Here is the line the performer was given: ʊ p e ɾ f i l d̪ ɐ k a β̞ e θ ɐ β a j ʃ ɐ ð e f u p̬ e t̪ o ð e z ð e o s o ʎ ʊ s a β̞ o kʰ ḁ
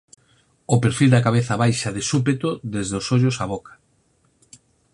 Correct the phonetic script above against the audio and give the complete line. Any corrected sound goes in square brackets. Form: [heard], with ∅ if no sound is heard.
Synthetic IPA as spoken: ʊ p e ɾ f i l d̪ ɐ k a β̞ e θ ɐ β a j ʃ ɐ ð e [s] u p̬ e t̪ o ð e z ð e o s o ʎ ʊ s a β̞ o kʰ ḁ